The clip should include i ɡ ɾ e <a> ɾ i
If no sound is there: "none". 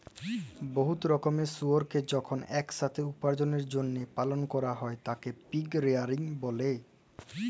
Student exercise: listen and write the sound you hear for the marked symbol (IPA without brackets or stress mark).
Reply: a